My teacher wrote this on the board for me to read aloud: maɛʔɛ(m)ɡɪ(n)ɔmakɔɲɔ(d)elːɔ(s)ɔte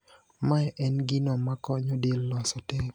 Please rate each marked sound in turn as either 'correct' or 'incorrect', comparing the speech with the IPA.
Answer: incorrect: n, correct, correct, correct

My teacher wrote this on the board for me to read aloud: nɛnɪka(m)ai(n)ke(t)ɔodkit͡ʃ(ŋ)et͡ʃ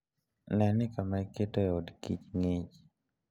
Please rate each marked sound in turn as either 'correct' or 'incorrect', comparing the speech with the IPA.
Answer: correct, incorrect: none, correct, correct

